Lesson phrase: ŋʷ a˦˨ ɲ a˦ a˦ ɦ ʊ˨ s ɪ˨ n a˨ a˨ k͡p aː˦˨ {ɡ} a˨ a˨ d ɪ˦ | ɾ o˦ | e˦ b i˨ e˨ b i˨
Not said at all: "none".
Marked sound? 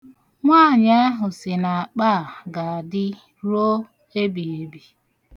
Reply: ɡ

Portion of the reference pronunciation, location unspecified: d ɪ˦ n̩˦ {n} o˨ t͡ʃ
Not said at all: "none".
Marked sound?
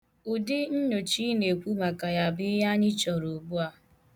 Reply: ɲ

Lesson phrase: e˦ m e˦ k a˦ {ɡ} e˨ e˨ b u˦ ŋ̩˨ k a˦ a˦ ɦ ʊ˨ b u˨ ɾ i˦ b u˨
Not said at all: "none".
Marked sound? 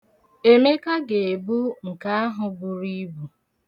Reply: ɡ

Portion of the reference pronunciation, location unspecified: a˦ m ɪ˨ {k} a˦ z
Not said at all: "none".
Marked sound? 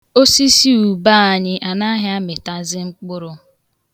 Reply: t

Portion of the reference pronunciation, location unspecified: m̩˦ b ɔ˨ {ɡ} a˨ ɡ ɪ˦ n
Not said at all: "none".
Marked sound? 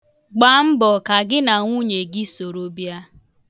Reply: k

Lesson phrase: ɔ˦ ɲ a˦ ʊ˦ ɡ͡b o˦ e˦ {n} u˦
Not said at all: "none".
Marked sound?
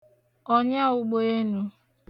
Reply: n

